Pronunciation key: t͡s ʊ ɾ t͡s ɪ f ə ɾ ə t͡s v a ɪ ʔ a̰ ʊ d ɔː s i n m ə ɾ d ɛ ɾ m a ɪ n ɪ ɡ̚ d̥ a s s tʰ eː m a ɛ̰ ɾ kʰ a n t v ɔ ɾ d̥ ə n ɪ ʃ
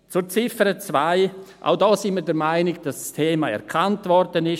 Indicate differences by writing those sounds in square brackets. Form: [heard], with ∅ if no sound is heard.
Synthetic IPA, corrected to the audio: t͡s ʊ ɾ t͡s ɪ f ə ɾ ə t͡s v a ɪ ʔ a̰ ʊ d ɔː s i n m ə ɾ d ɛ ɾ m a ɪ n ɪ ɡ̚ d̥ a s s tʰ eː m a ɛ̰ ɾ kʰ a n t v ɔ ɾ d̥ ə n ɪ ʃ

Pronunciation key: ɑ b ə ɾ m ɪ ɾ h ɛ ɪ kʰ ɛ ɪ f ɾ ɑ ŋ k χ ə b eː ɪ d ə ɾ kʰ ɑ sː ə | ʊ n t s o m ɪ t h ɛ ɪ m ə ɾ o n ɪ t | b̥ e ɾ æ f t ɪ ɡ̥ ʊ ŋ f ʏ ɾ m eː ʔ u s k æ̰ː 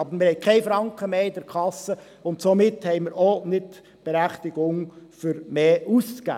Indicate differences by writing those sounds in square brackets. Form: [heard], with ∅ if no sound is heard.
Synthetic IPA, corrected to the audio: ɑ b ə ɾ m ɪ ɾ h ɛ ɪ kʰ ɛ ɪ f ɾ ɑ ŋ k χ ə [m] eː ɪ d ə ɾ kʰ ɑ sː ə | ʊ n t s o m ɪ t h ɛ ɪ m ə ɾ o n ɪ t | b̥ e ɾ æ [χ] t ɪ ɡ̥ ʊ ŋ f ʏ ɾ m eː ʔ u s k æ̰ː

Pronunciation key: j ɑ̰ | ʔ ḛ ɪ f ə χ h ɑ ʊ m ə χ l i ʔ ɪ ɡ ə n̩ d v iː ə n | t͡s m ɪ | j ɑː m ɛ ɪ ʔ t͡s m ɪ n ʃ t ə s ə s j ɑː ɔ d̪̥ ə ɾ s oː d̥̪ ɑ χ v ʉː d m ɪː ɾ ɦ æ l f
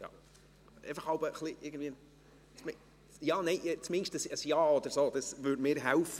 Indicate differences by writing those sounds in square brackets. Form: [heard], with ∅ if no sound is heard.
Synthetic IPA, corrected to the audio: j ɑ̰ | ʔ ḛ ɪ f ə χ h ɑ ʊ [b] ə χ l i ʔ ɪ ɡ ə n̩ d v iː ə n | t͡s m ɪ | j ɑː [n] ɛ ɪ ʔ t͡s m ɪ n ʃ t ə s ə s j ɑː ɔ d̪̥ ə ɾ s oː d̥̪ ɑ [s] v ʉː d m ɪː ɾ ɦ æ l f

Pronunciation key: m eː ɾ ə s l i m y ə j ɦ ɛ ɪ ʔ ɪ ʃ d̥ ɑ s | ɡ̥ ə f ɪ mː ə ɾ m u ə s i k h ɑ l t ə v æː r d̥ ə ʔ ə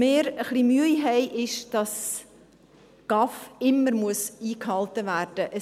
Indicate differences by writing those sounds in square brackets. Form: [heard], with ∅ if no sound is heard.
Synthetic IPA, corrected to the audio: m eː ɾ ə [χ] l i m y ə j ɦ ɛ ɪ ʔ ɪ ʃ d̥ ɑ s | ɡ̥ [ɑ] f ɪ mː ə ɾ m u ə s [iː] k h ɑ l t ə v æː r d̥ ə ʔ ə

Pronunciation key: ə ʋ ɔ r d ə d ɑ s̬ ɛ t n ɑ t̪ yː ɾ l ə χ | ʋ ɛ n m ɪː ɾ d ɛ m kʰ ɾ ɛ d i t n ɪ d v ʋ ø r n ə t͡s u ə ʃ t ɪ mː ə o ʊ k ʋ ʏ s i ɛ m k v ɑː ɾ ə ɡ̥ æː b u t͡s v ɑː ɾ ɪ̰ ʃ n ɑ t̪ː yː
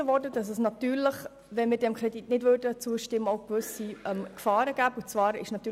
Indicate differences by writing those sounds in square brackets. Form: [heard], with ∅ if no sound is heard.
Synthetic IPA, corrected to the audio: ə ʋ ɔ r d ə d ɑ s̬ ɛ [s] n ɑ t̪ yː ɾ l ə χ | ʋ ɛ n m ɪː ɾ d ɛ m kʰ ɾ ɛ d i t n ɪ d v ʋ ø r [d] ə t͡s u ə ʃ t ɪ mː ə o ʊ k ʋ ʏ s i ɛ m k [f] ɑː ɾ ə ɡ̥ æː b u t͡s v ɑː ɾ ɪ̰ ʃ n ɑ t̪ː yː

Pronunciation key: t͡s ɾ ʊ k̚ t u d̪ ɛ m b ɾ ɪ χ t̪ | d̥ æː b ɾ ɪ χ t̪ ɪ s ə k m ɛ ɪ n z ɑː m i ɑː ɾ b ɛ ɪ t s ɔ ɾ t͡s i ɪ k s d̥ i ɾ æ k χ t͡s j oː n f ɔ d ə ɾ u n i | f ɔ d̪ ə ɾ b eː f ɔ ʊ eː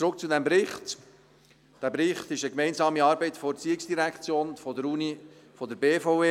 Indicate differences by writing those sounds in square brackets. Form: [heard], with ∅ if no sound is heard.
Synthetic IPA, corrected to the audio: t͡s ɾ ʊ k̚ [t͡s] u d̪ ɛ m b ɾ ɪ χ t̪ | d̥ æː b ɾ ɪ χ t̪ ɪ [ʃ] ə k m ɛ ɪ n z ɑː m i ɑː ɾ b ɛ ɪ t [f] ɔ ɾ t͡s i ɪ k s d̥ i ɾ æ k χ t͡s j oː n f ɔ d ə ɾ u n i | f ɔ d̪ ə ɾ b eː f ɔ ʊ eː

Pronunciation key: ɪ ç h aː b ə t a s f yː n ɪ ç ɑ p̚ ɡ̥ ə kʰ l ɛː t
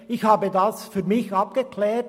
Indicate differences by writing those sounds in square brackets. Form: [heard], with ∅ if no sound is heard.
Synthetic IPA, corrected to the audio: ɪ ç h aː b ə [d] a s f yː [m] ɪ ç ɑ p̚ ɡ̥ ə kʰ l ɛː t

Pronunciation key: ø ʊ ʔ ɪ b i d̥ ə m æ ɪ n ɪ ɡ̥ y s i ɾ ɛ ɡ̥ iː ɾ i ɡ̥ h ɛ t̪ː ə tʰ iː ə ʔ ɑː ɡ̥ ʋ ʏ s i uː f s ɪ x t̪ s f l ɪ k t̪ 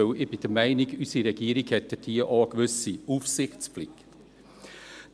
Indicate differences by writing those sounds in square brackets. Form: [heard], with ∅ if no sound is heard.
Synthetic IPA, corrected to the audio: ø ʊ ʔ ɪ b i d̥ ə m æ ɪ n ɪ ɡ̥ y s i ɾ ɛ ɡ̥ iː ɾ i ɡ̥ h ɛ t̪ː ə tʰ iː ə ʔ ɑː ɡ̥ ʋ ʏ s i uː f s ɪ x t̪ s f l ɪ k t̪

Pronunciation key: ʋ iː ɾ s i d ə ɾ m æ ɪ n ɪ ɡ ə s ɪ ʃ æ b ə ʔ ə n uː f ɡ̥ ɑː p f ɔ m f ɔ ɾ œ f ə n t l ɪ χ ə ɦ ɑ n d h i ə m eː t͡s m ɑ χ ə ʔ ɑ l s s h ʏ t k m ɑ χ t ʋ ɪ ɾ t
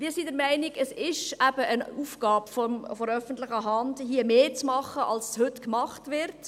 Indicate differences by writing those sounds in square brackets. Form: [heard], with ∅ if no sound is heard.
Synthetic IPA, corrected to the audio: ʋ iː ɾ s i d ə ɾ m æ ɪ n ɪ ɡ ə s ɪ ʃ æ b ə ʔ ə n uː f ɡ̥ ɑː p f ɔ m f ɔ ɾ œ f ə n t l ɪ χ ə ɦ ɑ n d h i ə m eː t͡s m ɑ χ ə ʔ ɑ l s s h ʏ t k m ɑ χ t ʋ ɪ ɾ t

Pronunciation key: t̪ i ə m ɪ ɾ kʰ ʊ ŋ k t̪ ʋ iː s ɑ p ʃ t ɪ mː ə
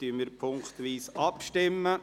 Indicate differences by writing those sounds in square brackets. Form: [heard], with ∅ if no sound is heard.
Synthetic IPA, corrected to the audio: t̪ [y] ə m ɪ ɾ [pʰ] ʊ ŋ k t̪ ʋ iː s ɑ p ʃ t ɪ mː ə

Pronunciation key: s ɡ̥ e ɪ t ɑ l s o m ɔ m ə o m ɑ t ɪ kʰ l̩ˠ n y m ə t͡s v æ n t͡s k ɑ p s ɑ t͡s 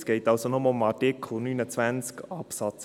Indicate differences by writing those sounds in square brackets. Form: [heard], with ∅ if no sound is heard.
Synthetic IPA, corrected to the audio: s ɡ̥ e ɪ t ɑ l s o [n] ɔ m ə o m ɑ t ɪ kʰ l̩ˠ n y [n] ə t͡s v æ n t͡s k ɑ p s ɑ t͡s

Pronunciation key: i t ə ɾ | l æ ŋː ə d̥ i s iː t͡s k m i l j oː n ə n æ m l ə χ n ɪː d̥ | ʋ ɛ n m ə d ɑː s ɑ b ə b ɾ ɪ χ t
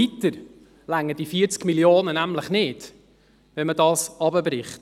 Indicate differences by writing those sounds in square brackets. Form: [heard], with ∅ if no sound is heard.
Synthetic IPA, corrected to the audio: i t ə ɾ | l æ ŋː ə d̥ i [f] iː t͡s k m i l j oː n ə n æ m l ə χ n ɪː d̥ | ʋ ɛ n m ə d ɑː s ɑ b ə b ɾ ɪ χ t

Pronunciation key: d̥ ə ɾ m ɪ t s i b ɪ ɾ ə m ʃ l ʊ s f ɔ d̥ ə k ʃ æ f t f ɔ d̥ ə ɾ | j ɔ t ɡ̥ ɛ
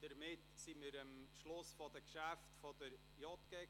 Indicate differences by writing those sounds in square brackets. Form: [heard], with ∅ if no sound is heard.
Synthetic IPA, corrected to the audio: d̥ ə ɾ m ɪ t s i [m] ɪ ɾ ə m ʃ l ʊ s f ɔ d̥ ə k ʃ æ f t f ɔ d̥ ə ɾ | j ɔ t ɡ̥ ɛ

